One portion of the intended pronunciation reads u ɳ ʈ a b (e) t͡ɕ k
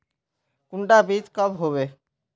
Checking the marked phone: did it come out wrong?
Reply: yes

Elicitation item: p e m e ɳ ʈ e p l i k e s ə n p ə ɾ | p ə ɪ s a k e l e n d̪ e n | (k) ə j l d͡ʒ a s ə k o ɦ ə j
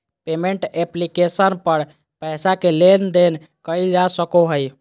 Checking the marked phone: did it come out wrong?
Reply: no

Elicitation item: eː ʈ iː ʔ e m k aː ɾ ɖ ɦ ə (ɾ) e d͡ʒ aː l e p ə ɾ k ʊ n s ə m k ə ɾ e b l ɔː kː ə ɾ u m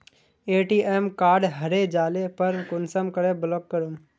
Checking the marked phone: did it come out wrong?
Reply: no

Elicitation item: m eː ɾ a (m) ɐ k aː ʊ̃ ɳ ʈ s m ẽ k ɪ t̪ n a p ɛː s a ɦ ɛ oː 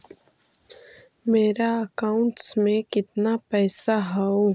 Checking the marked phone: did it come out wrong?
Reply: yes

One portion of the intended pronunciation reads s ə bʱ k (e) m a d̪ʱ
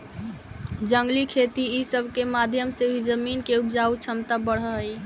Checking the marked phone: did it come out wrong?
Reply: no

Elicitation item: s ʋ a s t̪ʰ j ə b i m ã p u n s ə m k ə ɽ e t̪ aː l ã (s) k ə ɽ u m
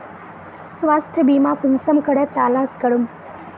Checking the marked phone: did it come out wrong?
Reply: no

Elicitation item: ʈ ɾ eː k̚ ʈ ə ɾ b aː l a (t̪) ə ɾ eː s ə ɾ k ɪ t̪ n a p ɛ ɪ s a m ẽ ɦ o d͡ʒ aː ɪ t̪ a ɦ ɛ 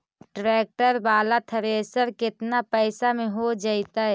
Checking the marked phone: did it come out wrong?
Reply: yes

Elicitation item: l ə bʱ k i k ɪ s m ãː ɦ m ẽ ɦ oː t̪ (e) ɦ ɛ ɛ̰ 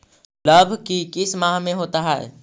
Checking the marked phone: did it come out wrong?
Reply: yes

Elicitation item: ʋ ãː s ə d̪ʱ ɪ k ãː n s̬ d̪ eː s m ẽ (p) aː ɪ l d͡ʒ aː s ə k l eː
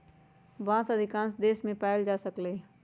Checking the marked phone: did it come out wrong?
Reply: no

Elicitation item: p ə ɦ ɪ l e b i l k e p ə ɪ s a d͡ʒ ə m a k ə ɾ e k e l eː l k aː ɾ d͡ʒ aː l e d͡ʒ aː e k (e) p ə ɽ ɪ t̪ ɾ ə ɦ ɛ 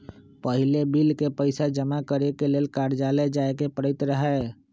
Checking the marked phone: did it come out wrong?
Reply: no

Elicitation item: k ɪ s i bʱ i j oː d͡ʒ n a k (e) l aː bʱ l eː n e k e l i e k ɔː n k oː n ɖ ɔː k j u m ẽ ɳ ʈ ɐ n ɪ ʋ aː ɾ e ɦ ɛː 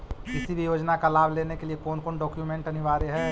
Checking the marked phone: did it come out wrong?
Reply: yes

